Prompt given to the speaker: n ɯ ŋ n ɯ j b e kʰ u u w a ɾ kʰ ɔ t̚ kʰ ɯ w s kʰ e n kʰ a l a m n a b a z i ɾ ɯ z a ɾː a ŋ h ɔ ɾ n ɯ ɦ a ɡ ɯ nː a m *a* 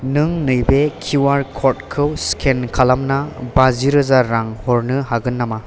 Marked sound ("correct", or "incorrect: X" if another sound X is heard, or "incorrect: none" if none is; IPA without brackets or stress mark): correct